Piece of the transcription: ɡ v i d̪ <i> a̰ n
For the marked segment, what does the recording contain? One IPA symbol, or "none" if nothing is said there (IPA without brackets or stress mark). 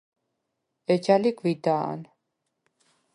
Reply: a